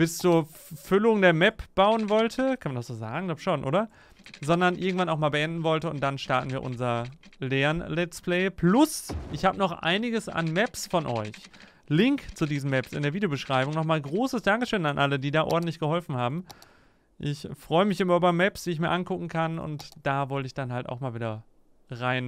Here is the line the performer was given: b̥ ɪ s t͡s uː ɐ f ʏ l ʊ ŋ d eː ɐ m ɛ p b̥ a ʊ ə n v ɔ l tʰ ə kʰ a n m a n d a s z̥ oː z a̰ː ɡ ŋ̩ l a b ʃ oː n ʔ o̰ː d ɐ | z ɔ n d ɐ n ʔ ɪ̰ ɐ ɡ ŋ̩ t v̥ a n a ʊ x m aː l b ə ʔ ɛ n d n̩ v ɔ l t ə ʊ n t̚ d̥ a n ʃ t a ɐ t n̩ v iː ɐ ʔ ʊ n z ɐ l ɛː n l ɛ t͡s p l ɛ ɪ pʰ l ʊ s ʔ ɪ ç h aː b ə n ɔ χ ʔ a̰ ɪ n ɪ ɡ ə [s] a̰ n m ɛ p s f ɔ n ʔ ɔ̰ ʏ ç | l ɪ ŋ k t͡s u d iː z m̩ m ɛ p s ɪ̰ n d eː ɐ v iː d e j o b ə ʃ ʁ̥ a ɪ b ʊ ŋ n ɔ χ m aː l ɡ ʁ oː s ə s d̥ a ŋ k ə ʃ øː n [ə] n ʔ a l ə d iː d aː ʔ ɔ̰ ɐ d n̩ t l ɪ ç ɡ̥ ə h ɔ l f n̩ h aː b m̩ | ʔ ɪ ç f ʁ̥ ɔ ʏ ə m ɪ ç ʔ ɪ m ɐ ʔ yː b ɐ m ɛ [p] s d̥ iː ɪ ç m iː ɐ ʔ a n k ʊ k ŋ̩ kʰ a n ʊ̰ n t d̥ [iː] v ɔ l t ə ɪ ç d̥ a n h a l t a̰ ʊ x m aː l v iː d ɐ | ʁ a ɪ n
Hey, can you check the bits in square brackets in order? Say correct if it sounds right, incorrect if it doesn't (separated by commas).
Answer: correct, incorrect, correct, incorrect